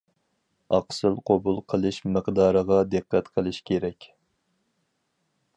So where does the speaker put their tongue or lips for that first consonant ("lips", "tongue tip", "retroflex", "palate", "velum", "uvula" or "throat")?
uvula